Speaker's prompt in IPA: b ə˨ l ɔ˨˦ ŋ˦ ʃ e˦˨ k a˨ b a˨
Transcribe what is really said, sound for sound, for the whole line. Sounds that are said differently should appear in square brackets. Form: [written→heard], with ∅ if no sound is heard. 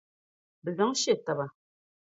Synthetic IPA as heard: b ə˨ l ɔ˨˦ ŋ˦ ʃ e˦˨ [k→t] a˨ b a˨